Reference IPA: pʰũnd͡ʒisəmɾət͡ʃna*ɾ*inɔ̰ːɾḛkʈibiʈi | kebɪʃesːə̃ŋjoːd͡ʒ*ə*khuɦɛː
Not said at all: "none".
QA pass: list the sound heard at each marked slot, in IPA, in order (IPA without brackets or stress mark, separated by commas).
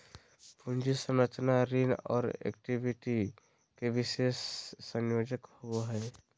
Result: ɾ, ə